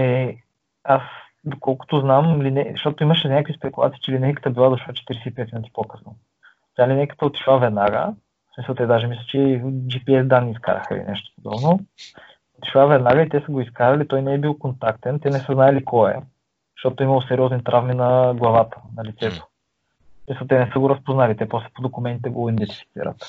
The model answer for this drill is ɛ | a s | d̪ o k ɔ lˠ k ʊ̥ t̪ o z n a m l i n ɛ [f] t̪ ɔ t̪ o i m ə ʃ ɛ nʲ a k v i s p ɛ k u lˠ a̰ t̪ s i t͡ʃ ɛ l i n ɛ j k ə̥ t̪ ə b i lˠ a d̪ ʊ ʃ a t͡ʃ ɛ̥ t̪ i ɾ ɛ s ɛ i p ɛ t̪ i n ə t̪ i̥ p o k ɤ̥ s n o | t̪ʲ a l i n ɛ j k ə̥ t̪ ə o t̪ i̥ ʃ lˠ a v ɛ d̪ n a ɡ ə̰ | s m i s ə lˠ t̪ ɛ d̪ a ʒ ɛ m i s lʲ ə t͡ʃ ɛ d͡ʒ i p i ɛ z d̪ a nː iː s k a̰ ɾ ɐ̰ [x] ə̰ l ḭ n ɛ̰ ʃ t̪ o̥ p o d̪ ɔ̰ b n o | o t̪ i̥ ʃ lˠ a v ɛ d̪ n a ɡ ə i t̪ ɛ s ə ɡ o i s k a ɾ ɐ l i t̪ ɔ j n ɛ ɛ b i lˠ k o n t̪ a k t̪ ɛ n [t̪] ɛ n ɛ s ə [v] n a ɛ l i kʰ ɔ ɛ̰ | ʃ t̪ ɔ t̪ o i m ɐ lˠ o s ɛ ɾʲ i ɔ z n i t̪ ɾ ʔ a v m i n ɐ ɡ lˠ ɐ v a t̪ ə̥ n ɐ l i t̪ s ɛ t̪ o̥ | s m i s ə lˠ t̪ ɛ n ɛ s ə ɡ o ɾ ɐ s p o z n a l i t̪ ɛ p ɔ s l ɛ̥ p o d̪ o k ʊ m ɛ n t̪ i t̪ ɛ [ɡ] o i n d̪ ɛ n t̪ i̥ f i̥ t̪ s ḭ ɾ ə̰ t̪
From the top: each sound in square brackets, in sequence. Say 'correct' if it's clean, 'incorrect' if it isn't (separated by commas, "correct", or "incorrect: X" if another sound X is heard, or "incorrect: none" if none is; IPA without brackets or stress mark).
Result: incorrect: ʃ, correct, correct, incorrect: z, correct